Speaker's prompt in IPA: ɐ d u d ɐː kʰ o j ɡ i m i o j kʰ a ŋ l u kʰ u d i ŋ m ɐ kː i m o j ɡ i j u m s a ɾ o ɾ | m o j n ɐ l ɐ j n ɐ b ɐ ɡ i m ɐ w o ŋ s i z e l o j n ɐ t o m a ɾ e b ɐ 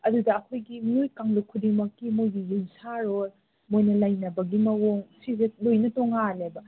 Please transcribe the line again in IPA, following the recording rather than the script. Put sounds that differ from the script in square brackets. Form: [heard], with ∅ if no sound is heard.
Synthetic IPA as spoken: ɐ d u d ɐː kʰ o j ɡ i m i o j [k] a ŋ l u kʰ u d i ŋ m ɐ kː i m o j ɡ i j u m s a ɾ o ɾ | m o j n ɐ l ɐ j n ɐ b ɐ ɡ i m ɐ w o ŋ s i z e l o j n ɐ t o [ŋ] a [l] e b ɐ